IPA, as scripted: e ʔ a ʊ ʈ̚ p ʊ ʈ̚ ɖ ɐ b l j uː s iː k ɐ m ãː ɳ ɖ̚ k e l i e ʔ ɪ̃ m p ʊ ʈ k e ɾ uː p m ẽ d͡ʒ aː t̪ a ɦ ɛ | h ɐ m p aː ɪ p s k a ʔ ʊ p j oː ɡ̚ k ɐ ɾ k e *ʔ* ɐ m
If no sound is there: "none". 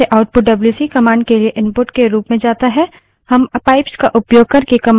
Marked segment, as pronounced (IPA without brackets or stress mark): k